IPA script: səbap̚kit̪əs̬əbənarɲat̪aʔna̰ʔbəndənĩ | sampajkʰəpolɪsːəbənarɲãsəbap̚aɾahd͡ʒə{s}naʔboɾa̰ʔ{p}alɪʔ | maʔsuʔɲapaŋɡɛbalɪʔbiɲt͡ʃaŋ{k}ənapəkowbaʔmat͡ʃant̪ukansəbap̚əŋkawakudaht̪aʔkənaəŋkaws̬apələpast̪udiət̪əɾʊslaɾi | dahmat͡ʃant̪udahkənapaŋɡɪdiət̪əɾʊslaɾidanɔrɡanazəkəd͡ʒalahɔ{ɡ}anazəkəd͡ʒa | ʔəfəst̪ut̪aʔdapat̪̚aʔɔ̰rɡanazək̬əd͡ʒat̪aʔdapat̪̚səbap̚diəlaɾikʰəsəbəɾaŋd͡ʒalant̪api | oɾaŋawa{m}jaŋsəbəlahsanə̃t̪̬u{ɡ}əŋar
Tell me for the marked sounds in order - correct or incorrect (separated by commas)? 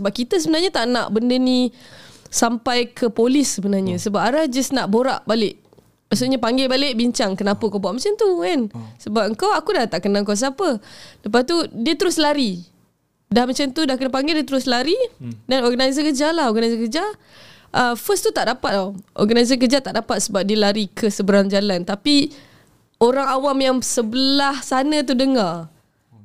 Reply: correct, incorrect, correct, correct, correct, incorrect